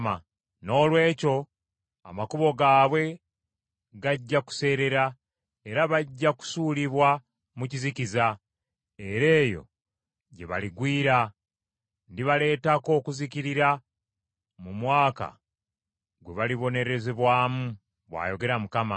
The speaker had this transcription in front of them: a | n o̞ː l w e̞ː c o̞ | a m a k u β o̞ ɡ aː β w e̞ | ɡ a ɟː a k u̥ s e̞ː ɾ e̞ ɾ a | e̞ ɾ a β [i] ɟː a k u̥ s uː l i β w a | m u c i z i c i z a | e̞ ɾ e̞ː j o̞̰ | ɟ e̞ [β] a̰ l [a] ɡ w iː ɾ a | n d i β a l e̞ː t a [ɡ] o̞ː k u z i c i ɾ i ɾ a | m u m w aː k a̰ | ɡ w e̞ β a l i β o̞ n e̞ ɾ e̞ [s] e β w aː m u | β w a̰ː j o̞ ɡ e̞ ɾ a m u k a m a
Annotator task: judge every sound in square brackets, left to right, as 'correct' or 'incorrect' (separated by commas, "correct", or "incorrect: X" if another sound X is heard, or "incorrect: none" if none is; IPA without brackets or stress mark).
incorrect: a, correct, incorrect: i, incorrect: k, incorrect: z